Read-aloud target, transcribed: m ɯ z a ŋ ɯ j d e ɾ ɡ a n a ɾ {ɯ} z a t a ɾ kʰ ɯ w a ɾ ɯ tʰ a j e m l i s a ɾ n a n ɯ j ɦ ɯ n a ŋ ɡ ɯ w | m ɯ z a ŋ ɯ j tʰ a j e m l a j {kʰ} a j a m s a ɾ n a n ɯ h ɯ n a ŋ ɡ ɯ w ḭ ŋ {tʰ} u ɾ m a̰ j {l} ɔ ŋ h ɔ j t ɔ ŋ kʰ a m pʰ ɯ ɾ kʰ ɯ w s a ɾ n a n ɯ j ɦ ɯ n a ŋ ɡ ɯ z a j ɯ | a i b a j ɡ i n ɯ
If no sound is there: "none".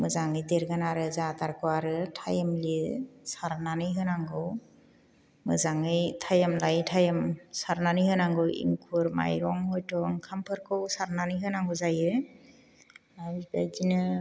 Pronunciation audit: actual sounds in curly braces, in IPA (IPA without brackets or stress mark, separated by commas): ɯ, tʰ, kʰ, ɾ